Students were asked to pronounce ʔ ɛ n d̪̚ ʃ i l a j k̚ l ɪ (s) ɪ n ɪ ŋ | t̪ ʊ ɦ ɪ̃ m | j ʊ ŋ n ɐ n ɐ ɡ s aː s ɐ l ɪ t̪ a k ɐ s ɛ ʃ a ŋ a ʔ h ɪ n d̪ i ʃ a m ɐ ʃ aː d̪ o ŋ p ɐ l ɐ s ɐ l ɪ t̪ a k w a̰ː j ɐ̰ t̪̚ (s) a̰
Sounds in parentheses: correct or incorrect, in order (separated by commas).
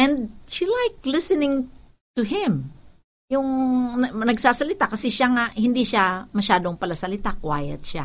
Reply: correct, incorrect